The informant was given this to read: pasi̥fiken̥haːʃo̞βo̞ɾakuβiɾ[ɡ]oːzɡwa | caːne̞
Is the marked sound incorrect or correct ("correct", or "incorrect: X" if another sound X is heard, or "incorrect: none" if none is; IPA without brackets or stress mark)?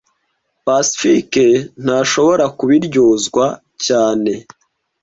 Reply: incorrect: ɟ